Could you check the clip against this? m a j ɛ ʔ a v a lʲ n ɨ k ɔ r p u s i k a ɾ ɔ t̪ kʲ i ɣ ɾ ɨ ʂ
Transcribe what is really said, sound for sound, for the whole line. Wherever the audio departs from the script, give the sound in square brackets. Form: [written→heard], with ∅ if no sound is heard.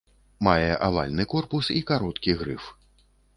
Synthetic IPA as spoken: m a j ɛ ʔ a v a lʲ n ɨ k ɔ r p u s i k a ɾ ɔ t̪ kʲ i ɣ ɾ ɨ [ʂ→f]